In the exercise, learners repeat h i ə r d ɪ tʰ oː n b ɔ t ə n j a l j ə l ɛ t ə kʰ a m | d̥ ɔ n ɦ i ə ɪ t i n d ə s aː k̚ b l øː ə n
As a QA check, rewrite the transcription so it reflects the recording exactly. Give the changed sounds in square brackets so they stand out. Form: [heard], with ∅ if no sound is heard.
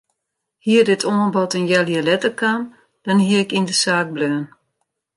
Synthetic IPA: h i ə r d ɪ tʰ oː n b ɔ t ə n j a l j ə l ɛ t ə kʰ a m | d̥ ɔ n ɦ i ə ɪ [k] i n d ə s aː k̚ b l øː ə n